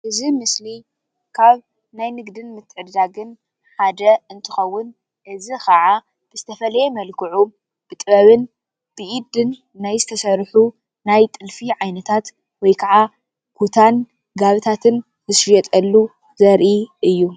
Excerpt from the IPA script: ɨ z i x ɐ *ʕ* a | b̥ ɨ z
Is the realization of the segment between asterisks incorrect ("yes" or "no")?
no